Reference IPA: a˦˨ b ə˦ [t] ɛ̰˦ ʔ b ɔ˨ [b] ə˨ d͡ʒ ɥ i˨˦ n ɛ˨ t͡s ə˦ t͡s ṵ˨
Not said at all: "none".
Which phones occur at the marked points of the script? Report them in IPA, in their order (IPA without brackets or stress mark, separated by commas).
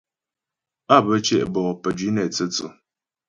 t͡ʃ, p